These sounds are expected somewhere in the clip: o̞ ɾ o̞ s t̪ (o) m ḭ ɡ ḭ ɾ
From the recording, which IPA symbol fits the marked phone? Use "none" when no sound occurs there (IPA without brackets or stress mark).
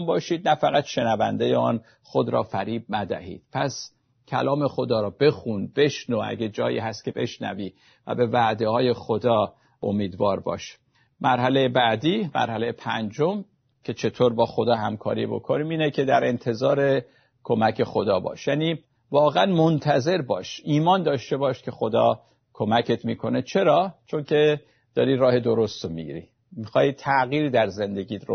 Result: o